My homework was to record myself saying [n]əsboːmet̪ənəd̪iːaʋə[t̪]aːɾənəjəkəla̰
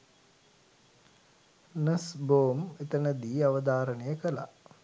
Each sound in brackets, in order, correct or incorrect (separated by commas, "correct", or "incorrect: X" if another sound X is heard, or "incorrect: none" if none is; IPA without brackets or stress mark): correct, incorrect: d̪